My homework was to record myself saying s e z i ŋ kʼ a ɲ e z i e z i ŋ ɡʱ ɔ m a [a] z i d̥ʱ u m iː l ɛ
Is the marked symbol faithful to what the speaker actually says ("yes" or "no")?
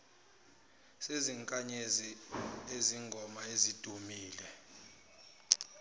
no